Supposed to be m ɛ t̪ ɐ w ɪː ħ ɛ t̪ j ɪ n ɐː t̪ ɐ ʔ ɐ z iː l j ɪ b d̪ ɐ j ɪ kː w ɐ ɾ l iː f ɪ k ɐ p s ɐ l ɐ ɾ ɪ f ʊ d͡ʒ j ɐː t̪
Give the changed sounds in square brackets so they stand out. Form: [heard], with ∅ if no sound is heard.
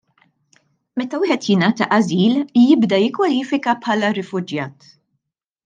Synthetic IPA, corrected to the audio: m ɛ t̪ ɐ w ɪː ħ ɛ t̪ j ɪ n ɐː t̪ ɐ ʔ ɐ z iː l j ɪ b d̪ ɐ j ɪ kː w ɐ [∅] l iː f ɪ k ɐ p [ħ] ɐ l ɐ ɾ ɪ f ʊ d͡ʒ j ɐː t̪